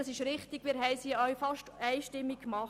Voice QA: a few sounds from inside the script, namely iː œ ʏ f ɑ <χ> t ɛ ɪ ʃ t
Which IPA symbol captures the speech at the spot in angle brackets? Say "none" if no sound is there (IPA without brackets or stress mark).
ʃ